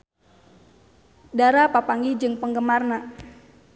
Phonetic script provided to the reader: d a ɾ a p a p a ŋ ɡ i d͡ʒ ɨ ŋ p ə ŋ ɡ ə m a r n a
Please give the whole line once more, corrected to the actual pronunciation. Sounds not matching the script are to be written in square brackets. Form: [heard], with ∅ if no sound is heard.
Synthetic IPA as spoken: d a ɾ a p a p a ŋ ɡ i d͡ʒ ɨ ŋ p ə ŋ ɡ ə m a r n a